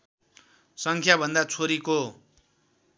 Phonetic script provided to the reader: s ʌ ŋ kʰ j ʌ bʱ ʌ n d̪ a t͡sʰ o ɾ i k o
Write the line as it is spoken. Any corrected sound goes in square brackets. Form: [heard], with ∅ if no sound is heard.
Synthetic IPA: s ʌ ŋ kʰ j [a] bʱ ʌ n d̪ a t͡sʰ o ɾ i k o